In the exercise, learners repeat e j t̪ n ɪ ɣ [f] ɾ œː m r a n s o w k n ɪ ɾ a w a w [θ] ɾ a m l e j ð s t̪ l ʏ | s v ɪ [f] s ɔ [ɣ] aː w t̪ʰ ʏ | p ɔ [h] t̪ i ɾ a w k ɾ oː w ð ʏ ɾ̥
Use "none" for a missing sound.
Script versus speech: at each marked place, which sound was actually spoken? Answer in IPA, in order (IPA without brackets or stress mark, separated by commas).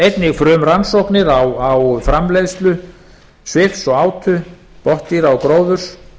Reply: f, f, f, ɣ, h